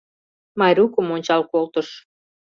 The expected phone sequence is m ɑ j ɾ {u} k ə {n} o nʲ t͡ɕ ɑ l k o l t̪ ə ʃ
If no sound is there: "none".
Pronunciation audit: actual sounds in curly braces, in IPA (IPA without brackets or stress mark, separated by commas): u, m